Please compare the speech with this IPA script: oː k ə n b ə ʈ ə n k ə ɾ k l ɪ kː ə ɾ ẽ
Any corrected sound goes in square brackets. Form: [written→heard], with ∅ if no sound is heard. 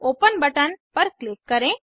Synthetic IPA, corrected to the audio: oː [k→p] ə n b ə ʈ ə n [k→p] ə ɾ k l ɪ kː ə ɾ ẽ